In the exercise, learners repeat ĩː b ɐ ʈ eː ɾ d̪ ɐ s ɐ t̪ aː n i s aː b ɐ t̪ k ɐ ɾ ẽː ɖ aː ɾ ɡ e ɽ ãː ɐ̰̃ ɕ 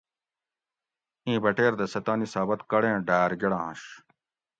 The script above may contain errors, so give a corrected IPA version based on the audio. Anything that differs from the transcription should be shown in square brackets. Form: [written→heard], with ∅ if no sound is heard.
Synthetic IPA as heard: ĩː b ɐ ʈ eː ɾ d̪ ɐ s ɐ t̪ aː n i s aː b ɐ t̪ k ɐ [ɾ→ɽ] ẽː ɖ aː ɾ ɡ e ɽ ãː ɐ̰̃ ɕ